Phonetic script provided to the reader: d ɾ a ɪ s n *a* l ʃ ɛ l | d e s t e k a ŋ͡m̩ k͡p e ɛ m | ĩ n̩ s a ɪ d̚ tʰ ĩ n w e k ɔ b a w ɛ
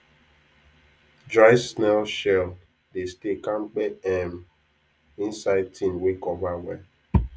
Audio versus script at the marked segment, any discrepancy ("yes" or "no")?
yes